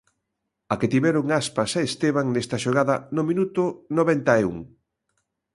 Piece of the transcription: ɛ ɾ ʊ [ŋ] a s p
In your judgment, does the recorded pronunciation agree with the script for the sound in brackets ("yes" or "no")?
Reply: yes